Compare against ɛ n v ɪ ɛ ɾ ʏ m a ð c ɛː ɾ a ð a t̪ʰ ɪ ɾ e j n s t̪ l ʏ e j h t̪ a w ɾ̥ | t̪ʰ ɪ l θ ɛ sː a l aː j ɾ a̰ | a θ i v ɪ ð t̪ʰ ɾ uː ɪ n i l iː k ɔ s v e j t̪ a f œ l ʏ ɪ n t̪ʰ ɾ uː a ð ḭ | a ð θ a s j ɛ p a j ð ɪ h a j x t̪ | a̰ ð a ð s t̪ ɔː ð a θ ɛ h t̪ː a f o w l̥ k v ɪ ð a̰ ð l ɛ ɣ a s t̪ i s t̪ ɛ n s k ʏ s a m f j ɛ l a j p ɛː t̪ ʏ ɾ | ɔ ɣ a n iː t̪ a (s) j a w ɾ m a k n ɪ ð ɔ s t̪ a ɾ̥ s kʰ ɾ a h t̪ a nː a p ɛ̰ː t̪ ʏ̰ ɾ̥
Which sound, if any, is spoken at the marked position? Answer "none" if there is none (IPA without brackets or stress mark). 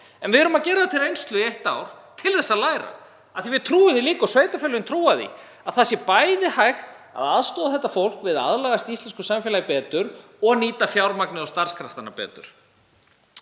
f